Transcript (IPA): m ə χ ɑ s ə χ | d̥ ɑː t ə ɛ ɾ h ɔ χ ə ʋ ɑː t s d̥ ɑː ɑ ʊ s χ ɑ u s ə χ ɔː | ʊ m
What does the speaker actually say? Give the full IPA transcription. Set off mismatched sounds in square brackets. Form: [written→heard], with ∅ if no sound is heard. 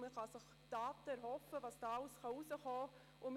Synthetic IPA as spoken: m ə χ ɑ s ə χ | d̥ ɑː t ə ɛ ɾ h ɔ [χ→f] ə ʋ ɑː [t→∅] s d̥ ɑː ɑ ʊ s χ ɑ u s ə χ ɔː | ʊ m

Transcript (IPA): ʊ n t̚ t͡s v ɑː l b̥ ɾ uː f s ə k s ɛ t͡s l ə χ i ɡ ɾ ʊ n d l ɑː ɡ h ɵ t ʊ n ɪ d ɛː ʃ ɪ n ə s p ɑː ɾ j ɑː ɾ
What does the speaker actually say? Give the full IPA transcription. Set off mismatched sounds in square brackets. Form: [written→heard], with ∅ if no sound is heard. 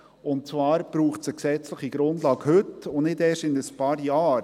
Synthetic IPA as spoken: ʊ n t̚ t͡s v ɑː [l→ɾ] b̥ ɾ uː [f→χ] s ə k s ɛ t͡s l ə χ i ɡ ɾ ʊ n d l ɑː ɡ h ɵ t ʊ n ɪ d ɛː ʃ ɪ n ə s p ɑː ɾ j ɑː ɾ

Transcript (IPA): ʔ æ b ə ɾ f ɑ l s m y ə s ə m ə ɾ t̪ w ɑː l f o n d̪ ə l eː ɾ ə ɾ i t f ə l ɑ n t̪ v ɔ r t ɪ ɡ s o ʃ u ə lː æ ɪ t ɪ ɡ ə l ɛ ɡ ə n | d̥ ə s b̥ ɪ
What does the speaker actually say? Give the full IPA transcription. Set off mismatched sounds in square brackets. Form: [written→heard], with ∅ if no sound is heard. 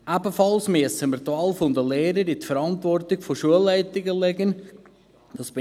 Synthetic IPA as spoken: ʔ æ b ə [ɾ→∅] f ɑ l s m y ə s ə m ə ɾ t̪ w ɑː l f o n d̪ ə l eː ɾ ə ɾ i t f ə [l→ɾ] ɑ n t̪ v ɔ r t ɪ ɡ [s→f] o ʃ u ə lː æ ɪ t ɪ ɡ ə l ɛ ɡ ə n | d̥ [ə→ɑ] s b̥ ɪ

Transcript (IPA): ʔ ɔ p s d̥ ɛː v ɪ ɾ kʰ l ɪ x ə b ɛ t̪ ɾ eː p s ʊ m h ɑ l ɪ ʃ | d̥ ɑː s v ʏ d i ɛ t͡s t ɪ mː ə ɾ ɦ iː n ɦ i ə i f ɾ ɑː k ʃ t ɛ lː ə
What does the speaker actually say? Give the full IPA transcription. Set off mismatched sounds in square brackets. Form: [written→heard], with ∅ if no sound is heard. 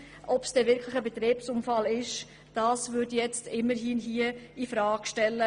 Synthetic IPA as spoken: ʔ ɔ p s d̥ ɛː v ɪ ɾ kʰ l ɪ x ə b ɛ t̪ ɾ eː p s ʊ m [h→f] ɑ l ɪ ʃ | d̥ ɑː s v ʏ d [i→j] ɛ t͡s t ɪ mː ə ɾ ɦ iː n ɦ i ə i f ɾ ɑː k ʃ t ɛ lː ə

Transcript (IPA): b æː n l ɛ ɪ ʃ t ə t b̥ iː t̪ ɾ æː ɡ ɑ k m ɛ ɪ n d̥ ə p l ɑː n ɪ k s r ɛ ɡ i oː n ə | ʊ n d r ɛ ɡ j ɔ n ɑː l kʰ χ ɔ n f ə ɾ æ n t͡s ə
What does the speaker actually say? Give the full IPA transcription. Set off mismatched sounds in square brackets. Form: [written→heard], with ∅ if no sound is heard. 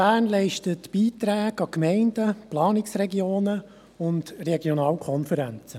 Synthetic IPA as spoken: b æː n l ɛ ɪ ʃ t ə t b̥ iː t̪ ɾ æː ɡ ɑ k m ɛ ɪ n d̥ ə p l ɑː n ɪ k s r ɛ ɡ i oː n ə | ʊ n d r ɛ ɡ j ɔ n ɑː l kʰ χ ɔ n f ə ɾ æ n t͡s ə

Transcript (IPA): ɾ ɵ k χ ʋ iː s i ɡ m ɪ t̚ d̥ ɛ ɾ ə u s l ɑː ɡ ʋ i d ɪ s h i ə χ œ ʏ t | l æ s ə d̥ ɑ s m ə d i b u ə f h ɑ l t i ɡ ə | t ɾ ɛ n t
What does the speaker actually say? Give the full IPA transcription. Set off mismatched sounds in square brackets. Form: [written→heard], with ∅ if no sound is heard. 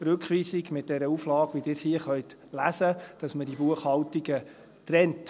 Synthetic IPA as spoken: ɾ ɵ k χ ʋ iː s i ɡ m ɪ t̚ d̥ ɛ ɾ ə u [s→f] l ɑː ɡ ʋ i d ɪ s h i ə χ œ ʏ t | l æ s ə d̥ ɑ s m ə d i b u ə [f→χ] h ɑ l t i ɡ ə | t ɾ ɛ n t

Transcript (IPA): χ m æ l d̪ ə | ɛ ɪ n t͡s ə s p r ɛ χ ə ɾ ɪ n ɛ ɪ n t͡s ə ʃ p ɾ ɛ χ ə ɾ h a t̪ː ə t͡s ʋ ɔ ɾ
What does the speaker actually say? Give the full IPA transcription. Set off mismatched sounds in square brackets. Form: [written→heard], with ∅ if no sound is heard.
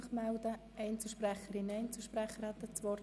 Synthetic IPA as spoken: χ m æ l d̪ ə | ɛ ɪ n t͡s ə [s→ʃ] p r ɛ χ ə ɾ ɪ n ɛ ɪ n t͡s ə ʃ p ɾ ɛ χ ə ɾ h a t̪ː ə t͡s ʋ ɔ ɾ

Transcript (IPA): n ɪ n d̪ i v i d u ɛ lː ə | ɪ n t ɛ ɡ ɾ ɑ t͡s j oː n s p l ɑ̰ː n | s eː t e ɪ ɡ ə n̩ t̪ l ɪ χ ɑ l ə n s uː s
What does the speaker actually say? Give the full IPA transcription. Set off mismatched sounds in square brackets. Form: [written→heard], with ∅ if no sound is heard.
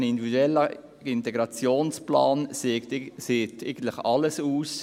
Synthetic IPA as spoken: n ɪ n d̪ i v i d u ɛ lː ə | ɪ n t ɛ ɡ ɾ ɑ t͡s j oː n s p l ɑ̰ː n | s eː t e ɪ ɡ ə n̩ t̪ l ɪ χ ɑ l ə [n→∅] s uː s

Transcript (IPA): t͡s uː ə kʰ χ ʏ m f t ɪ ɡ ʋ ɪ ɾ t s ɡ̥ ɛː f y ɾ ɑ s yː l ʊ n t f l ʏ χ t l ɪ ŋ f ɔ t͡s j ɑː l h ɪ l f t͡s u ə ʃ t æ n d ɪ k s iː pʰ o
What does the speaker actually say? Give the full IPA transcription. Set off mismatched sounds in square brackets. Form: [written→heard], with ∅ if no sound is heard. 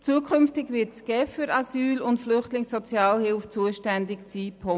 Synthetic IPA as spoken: t͡s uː ə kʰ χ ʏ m f t ɪ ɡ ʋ ɪ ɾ t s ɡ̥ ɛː f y ɾ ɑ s yː l ʊ n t f l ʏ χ t l ɪ ŋ [f→s] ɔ t͡s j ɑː l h ɪ l f t͡s u ə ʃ t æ n d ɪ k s iː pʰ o

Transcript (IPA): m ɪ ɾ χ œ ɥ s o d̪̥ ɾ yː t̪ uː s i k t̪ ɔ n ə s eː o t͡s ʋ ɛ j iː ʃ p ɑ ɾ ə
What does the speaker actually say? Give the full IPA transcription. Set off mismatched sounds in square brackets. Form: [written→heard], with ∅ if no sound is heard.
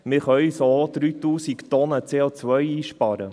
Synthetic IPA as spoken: m ɪ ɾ χ œ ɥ s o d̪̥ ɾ yː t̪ uː s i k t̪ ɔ n ə [s→t͡s] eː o t͡s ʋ [ɛ→œ] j iː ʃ p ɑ ɾ ə

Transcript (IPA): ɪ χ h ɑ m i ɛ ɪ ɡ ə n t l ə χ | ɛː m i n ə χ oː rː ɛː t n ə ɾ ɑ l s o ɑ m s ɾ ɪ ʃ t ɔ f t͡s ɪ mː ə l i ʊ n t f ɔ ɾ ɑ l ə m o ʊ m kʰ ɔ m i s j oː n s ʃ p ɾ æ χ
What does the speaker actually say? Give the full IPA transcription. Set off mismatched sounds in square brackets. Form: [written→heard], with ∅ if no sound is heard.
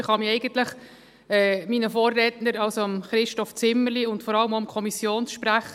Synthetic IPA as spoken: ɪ χ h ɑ m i ɛ ɪ ɡ ə n t l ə χ | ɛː m i n ə [χ→f] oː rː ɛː t n ə ɾ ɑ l s o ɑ m [s→χ] ɾ ɪ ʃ t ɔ f t͡s ɪ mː ə l i ʊ n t f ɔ ɾ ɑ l ə m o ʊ m kʰ ɔ m i s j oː n s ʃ p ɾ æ χ

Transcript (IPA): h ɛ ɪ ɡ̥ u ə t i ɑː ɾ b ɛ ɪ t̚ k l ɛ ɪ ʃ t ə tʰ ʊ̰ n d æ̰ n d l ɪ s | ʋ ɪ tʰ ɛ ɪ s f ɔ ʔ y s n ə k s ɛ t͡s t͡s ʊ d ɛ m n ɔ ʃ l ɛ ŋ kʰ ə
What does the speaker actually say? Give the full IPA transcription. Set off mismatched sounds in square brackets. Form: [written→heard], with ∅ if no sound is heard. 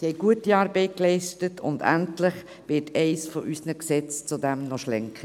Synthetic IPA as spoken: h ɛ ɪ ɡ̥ u ə t i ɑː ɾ b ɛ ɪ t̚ k l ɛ ɪ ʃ t ə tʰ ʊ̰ n d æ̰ n [d→t] l ɪ [s→χ] | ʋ ɪ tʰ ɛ ɪ s f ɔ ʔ y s n ə k s ɛ t͡s t͡s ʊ d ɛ m n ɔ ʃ l ɛ ŋ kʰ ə

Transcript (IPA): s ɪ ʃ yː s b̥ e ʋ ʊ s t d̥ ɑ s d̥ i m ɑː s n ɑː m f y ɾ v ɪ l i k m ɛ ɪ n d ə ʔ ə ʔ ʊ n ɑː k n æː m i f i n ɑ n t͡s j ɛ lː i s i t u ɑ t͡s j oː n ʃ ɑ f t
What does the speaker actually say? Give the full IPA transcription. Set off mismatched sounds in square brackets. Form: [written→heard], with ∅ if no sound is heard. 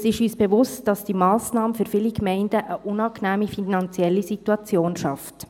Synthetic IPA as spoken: s ɪ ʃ yː s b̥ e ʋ ʊ s t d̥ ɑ s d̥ i m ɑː s n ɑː m f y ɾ [v→f] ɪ l i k m ɛ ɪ n d ə ʔ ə ʔ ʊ n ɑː k n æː m i f i n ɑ n t͡s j ɛ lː i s i t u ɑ t͡s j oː n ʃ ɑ f t

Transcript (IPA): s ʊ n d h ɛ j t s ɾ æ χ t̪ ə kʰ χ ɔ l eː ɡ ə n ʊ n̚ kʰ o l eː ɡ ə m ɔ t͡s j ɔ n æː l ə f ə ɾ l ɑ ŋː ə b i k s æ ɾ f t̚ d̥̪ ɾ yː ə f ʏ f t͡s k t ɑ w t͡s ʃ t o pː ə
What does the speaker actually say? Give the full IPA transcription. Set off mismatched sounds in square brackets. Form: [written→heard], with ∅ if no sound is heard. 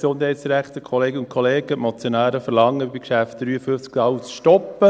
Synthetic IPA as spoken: s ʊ n d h ɛ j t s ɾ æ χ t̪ ə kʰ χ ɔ l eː ɡ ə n ʊ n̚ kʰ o l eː ɡ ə m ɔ t͡s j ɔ n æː [l→ɾ] ə f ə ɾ l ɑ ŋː ə b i k [s→ʃ] æ [ɾ→∅] f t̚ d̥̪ ɾ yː ə f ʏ f t͡s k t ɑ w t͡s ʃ t [o→ɔ] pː ə

